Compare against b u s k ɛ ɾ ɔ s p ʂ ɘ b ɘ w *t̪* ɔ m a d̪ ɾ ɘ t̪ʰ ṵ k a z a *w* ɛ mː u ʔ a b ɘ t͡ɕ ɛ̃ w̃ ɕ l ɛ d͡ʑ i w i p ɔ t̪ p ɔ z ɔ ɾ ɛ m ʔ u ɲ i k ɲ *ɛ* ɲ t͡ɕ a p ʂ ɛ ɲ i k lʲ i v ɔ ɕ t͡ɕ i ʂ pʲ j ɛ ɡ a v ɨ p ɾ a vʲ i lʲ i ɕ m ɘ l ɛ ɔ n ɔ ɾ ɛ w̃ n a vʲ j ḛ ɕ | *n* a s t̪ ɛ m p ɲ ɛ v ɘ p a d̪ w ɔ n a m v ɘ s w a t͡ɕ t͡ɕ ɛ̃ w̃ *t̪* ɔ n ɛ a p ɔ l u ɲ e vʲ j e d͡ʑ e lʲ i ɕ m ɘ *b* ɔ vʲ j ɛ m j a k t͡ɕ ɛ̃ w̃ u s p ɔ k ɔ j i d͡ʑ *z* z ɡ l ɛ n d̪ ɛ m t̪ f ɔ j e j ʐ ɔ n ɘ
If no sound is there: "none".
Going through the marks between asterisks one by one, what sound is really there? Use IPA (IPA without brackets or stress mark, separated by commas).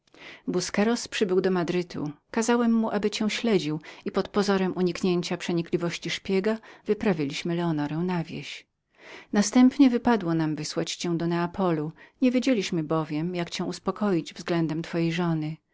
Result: d̪, w, e, n, d̪, b, v